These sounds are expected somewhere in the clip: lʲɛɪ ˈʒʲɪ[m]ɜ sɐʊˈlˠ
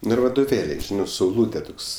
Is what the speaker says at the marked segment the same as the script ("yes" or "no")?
no